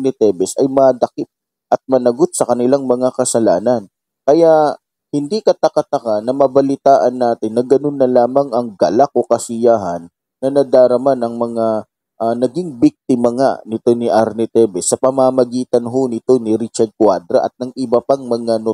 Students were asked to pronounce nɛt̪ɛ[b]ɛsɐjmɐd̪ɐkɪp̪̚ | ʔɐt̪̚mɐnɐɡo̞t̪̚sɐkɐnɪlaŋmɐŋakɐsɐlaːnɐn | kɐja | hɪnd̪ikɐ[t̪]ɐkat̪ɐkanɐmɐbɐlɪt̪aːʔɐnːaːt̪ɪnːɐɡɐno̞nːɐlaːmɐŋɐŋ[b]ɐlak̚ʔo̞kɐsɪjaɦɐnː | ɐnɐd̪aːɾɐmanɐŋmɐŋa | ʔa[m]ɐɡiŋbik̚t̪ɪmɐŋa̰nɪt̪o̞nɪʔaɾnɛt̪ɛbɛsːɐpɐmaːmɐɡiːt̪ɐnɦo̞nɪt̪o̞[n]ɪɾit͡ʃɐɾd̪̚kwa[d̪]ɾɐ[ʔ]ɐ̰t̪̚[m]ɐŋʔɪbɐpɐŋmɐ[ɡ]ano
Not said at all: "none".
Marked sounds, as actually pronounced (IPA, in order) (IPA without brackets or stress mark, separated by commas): b, t̪, ɡ, n, n, d̪, ʔ, n, ŋ